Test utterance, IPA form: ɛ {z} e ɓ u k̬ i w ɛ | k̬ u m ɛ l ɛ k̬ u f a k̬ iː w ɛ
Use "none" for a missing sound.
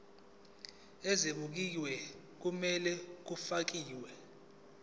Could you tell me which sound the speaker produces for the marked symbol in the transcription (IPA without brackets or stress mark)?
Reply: z